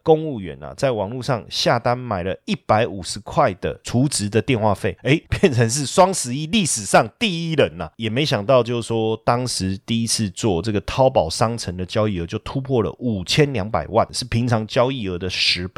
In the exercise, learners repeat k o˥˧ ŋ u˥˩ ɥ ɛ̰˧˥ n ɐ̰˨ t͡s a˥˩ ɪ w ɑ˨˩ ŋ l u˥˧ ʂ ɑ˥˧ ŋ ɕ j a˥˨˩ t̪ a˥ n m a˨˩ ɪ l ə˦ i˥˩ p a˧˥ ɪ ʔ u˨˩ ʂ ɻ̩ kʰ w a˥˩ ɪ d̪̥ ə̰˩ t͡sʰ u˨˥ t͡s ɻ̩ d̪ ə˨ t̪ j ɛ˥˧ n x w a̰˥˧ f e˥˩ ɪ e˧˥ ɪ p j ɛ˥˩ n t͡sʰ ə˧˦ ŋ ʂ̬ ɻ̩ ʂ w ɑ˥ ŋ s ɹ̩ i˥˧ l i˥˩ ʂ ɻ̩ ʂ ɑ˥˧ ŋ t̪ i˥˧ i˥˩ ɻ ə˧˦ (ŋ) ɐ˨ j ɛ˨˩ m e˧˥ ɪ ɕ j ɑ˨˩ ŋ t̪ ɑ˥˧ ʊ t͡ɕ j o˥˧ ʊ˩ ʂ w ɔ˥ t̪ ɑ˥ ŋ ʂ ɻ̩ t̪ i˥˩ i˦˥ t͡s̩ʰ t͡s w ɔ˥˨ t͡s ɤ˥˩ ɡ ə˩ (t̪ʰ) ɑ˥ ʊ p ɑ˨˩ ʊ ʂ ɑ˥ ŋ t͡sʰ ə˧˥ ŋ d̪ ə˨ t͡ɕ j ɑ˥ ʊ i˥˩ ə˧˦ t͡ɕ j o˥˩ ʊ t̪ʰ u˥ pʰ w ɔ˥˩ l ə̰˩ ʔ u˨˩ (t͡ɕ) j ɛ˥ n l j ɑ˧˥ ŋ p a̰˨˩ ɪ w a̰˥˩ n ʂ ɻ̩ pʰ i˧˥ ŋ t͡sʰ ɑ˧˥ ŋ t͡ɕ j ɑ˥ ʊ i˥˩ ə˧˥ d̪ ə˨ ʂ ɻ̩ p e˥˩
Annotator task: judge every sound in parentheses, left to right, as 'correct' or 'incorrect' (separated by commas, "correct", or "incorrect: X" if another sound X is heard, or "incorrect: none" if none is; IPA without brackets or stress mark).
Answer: incorrect: n, correct, incorrect: t͡ɕʰ